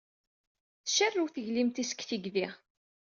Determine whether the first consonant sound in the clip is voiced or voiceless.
voiceless